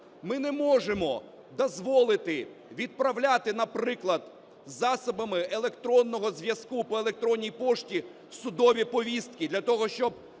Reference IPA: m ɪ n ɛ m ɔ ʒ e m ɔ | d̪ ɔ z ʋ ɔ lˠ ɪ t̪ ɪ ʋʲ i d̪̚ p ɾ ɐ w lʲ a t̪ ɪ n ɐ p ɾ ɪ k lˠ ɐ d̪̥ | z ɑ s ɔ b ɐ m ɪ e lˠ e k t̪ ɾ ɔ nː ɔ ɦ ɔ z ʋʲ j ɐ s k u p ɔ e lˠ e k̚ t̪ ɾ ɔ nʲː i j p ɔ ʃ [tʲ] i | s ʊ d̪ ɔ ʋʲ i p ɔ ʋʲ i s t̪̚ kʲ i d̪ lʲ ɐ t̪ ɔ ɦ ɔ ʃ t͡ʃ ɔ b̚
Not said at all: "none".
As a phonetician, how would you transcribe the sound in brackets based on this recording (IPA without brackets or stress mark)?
tʲ